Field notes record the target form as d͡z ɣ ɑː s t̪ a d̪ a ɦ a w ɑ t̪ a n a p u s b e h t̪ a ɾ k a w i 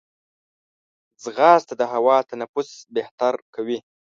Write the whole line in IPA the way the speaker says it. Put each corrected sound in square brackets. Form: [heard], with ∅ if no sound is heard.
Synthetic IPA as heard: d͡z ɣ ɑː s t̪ a d̪ [ə] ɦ a w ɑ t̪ a n a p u s b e h t̪ a ɾ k a w i